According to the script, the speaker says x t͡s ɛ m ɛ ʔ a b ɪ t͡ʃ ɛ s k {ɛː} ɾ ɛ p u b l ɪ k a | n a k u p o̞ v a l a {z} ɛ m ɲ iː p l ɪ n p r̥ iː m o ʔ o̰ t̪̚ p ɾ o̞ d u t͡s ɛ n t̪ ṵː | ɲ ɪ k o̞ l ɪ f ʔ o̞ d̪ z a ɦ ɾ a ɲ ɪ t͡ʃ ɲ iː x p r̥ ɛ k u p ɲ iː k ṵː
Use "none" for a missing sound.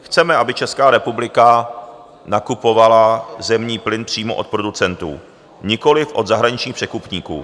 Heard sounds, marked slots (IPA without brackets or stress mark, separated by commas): aː, z